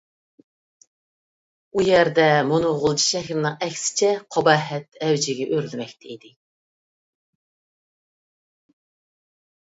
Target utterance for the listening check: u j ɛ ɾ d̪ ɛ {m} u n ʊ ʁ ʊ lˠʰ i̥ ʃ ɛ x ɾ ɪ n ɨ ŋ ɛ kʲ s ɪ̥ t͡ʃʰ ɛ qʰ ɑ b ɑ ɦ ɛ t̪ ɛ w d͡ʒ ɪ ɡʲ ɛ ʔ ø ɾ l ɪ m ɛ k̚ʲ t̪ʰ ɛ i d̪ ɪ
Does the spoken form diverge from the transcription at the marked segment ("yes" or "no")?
no